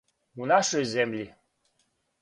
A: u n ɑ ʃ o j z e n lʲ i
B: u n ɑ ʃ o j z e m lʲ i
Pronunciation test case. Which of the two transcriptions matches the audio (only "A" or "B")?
B